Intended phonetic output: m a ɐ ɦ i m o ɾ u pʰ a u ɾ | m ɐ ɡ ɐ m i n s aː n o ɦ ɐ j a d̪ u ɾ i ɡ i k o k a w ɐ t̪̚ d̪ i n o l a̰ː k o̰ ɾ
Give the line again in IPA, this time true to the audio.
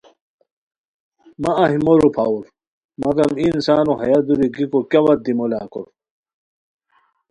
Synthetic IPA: m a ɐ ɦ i m o ɾ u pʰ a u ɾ | m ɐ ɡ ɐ m i n s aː n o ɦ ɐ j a d̪ u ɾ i ɡ i k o k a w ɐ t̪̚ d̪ i m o l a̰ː k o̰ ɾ